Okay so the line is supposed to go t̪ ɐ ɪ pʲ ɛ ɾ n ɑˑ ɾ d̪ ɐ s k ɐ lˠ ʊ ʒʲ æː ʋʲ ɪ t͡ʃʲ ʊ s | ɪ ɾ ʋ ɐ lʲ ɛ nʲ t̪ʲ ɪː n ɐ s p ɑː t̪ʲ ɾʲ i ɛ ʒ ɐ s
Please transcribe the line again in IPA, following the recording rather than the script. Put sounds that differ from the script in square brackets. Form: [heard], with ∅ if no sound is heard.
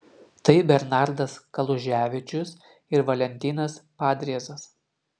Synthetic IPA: t̪ ɐ ɪ [bʲ] ɛ ɾ n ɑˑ ɾ d̪ ɐ s k ɐ lˠ ʊ ʒʲ æː ʋʲ ɪ t͡ʃʲ ʊ s | ɪ ɾ ʋ ɐ lʲ ɛ nʲ t̪ʲ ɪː n ɐ s p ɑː [d̪ʲ] ɾʲ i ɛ [z] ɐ s

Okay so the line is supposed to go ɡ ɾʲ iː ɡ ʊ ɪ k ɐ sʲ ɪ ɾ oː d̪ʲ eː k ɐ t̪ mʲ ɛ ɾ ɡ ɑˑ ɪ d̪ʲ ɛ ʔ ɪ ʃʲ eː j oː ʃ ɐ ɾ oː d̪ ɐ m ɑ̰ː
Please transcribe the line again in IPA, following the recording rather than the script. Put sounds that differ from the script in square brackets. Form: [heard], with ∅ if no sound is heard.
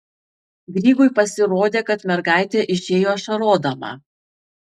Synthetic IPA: ɡ ɾʲ iː ɡ ʊ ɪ [p] ɐ sʲ ɪ ɾ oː d̪ʲ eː k ɐ t̪ mʲ ɛ ɾ ɡ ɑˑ ɪ [t̪ʲ] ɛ ʔ ɪ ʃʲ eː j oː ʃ ɐ ɾ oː d̪ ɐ m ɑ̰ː

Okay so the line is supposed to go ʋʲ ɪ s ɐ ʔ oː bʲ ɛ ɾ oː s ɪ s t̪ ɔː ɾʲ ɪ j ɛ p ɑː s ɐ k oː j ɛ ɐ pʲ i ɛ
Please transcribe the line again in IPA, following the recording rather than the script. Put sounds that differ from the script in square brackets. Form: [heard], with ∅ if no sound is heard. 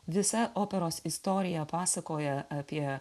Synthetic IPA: ʋʲ ɪ s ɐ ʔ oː [pʲ] ɛ ɾ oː s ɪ s t̪ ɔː ɾʲ ɪ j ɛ p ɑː s ɐ k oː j ɛ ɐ pʲ i ɛ

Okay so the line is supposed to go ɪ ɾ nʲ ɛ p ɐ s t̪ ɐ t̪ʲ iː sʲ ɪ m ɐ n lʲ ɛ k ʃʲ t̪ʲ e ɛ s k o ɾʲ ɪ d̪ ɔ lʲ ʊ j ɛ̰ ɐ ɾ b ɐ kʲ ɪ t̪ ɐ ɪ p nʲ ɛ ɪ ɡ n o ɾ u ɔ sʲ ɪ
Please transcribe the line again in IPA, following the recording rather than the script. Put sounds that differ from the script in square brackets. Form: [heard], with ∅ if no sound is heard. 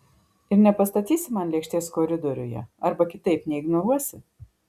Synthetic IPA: ɪ ɾ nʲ ɛ p ɐ s t̪ ɐ t̪ʲ iː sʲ ɪ m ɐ n lʲ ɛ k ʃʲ t̪ʲ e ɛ s k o ɾʲ ɪ d̪ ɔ [ɾʲ] ʊ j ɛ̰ ɐ ɾ b ɐ kʲ ɪ t̪ ɐ ɪ p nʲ ɛ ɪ ɡ n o ɾ u ɔ sʲ ɪ

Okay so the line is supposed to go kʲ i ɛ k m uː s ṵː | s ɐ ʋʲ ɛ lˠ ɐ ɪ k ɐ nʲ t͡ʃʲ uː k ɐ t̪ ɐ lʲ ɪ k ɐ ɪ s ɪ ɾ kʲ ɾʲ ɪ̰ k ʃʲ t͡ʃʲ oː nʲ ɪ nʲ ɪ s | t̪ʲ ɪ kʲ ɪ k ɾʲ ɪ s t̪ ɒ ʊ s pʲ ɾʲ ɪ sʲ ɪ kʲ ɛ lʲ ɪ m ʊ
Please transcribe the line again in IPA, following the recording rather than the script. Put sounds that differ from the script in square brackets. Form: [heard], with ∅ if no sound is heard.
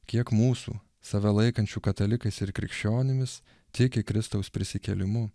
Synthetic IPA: kʲ i ɛ k m uː s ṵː | s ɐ ʋʲ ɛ lˠ ɐ ɪ k ɐ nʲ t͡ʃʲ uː k ɐ t̪ ɐ lʲ ɪ k ɐ ɪ s ɪ ɾ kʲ ɾʲ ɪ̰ k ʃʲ t͡ʃʲ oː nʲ ɪ [mʲ] ɪ s | t̪ʲ ɪ kʲ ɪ k ɾʲ ɪ s t̪ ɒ ʊ s pʲ ɾʲ ɪ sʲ ɪ kʲ ɛ lʲ ɪ m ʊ

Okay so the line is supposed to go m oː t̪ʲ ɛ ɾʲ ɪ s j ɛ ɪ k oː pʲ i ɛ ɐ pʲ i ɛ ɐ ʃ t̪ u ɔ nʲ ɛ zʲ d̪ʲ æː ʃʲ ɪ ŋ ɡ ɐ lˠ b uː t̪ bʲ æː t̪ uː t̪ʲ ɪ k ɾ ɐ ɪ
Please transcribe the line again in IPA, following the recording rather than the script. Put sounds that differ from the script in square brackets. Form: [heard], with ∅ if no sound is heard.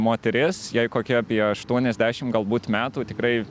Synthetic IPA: m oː t̪ʲ ɛ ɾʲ ɪ s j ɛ ɪ k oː [kʲ] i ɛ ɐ pʲ i ɛ ɐ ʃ t̪ u ɔ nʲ ɛ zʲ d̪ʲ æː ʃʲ ɪ [m] ɡ ɐ lˠ b uː t̪ [mʲ] æː t̪ uː t̪ʲ ɪ k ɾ ɐ ɪ

